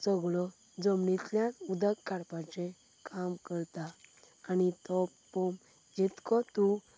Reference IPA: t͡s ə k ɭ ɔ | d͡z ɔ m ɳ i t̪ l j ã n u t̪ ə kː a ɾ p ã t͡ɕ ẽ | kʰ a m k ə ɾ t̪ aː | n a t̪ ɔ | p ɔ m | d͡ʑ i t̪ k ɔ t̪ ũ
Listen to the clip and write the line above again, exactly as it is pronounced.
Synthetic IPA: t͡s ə ɡ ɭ ɔ | d͡z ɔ m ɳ i t̪ l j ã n u d̪ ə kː a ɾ p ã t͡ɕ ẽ | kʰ a m k ə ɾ t̪ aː | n i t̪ ɔ | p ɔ m | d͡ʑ i t̪ k ɔ t̪ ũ